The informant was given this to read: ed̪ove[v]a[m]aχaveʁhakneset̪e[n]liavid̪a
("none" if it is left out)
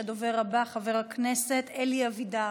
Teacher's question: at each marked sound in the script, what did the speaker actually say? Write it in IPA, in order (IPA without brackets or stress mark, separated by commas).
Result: ʁ, b, none